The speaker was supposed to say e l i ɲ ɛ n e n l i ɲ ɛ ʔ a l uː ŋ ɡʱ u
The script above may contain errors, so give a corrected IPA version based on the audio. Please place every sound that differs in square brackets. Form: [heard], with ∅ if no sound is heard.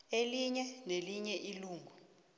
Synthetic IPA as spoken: e l i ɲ ɛ n e [∅] l i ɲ ɛ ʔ [i] l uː ŋ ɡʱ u